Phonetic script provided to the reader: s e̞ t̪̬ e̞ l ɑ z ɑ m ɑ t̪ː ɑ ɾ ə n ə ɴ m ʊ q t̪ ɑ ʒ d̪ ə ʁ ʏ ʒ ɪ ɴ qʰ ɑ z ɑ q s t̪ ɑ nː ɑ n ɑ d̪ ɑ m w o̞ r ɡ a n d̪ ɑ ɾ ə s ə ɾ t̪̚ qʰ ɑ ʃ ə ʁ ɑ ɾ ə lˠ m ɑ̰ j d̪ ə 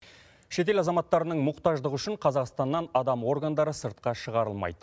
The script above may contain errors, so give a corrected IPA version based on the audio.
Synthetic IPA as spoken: ʃ e̞ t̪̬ e̞ l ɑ z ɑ m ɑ t̪ː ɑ ɾ ə n ə ɴ m ʊ q t̪ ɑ ʒ d̪ ə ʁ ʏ ʃ ɪ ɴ qʰ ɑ z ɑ q s t̪ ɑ nː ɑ n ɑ d̪ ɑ m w o̞ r ɡ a n d̪ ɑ ɾ ə s ə ɾ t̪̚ q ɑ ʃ ə ʁ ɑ ɾ ə lˠ m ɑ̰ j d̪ ə